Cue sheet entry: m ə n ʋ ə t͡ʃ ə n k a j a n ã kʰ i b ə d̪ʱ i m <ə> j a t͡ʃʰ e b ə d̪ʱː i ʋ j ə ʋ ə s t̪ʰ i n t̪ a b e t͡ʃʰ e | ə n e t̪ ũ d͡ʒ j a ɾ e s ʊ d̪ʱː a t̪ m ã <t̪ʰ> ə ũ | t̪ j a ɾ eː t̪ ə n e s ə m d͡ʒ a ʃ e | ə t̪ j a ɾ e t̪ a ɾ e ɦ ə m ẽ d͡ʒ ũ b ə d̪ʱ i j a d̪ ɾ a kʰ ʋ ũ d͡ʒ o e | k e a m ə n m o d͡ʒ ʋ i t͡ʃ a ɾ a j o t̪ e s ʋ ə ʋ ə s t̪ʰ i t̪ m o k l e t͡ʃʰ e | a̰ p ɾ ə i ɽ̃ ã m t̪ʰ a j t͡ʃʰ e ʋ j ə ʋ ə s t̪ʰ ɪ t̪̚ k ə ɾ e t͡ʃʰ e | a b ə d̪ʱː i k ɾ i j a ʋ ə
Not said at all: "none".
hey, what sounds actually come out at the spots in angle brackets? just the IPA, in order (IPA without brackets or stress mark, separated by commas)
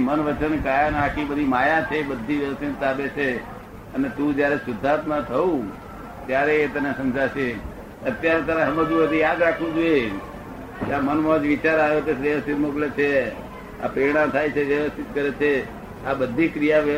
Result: a, t̪ʰ